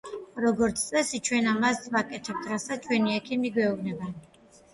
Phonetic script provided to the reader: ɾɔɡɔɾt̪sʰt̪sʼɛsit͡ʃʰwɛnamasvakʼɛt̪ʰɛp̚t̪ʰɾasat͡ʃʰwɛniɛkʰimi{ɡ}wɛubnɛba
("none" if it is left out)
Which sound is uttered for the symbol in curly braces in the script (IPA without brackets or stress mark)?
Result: ɡ